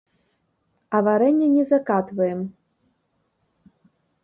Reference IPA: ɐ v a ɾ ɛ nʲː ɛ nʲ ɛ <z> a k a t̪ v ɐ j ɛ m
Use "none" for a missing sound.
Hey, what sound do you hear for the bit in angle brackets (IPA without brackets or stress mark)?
z